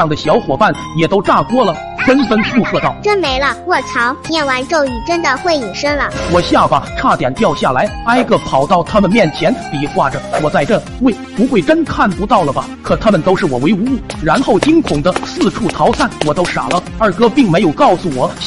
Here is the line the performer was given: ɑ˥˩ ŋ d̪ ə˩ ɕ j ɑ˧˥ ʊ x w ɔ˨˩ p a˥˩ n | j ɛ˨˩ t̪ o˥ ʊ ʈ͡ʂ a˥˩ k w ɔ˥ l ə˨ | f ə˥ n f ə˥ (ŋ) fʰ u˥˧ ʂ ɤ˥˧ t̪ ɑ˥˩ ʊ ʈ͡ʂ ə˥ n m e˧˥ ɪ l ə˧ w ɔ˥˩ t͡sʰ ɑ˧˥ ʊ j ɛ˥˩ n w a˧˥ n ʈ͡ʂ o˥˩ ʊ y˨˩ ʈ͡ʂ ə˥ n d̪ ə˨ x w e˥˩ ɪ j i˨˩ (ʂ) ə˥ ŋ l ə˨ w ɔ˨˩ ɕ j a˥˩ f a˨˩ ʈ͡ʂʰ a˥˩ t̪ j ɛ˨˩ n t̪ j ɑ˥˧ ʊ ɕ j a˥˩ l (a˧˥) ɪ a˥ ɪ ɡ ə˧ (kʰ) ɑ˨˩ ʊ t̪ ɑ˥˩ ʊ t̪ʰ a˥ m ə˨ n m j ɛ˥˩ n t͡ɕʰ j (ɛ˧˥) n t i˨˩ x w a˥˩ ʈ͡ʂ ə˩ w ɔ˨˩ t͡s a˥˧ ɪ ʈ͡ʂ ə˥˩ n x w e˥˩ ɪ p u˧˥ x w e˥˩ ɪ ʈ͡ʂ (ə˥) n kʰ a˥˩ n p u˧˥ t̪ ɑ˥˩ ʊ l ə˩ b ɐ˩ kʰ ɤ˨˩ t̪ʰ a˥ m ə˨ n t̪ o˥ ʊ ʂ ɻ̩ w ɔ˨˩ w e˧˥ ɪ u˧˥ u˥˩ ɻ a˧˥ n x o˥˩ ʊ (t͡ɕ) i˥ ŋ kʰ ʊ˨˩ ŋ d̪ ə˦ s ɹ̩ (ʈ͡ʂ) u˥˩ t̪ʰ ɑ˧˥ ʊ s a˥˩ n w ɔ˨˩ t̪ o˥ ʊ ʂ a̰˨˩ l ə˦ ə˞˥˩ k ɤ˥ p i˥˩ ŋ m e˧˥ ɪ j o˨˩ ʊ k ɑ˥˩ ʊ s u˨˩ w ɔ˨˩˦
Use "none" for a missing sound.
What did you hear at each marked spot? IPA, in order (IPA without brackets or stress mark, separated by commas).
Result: n, ʂ, a˧˥, pʰ, ɛ˧˥, ə˥, t͡ɕ, ʈ͡ʂʰ